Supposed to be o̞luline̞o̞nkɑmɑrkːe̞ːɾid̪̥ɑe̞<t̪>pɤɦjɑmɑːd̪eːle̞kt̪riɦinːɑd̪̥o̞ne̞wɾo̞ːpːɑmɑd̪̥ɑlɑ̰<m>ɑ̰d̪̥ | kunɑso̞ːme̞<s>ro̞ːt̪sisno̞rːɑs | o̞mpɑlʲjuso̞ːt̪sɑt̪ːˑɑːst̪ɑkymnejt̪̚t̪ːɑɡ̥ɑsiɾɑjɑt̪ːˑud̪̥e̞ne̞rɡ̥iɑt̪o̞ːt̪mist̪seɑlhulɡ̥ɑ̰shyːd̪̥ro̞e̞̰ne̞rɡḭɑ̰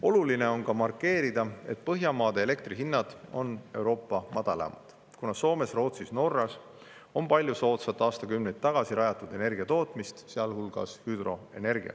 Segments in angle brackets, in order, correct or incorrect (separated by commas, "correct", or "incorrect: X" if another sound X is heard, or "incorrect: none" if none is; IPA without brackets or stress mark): correct, correct, correct